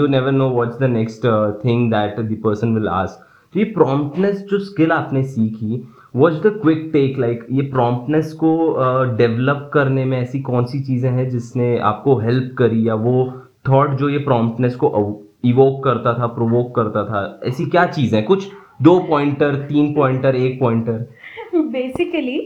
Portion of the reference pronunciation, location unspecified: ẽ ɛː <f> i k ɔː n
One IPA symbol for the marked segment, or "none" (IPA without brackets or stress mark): s